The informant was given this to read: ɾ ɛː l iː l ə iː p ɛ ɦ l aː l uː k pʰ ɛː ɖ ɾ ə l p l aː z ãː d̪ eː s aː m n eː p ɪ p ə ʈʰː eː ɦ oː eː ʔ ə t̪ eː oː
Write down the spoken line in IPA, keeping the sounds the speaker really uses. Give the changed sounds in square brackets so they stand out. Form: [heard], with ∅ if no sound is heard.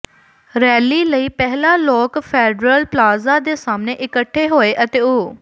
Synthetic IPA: ɾ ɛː l iː l ə iː p ɛ ɦ l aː l [ɔː] k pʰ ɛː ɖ ɾ ə l p l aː z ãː d̪ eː s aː m n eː [ʔ] ɪ [k] ə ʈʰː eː ɦ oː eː ʔ ə t̪ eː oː